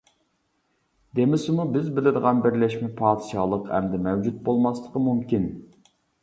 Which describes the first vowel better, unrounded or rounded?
unrounded